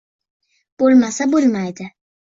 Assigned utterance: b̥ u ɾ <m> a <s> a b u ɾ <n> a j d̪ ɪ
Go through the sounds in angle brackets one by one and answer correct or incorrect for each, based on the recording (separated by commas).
correct, correct, incorrect